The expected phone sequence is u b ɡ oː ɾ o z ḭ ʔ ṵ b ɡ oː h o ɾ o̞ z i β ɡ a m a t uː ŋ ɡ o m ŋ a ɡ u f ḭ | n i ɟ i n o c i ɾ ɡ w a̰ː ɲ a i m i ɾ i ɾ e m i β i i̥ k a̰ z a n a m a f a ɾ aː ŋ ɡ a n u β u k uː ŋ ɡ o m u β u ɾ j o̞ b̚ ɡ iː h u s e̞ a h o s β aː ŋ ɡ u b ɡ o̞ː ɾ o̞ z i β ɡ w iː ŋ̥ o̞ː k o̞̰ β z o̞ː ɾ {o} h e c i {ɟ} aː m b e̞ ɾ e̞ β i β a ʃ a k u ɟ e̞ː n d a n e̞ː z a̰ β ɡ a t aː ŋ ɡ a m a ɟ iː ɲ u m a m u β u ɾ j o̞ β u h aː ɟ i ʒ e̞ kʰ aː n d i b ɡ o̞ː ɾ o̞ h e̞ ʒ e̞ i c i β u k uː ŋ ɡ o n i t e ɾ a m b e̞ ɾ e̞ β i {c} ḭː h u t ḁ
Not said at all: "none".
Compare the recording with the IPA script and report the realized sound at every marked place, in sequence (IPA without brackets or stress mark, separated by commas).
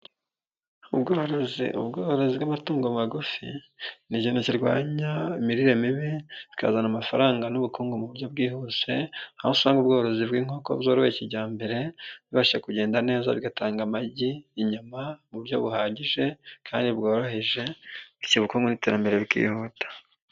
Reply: o, ɟ, k